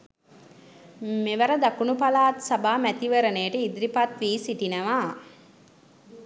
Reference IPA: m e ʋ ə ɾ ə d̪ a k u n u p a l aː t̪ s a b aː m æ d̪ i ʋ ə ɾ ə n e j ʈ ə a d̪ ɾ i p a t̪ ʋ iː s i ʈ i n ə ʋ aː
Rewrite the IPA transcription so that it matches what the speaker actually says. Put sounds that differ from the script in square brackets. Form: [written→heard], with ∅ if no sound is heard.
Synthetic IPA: m e ʋ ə ɾ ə d̪ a k u n u p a l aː t̪ s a b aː m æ [d̪→t̪] i ʋ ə ɾ ə n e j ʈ ə [a→i] d̪ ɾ i p a t̪ ʋ iː s i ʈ i n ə ʋ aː